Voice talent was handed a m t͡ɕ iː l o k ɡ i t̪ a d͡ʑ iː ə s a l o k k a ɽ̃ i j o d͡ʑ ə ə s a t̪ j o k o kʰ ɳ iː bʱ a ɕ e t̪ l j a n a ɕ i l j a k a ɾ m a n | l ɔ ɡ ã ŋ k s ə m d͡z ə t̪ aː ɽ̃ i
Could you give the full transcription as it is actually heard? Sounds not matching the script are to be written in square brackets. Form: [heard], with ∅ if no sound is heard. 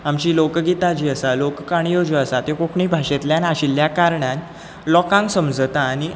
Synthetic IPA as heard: a m t͡ɕ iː l o k ɡ i t̪ a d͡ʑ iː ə s a l o k k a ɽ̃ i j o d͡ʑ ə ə s a t̪ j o k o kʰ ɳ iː bʱ a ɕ e t̪ l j a n a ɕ i l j a k a ɾ [ɳ] a n | l ɔ [k] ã ŋ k s ə m d͡z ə t̪ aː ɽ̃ i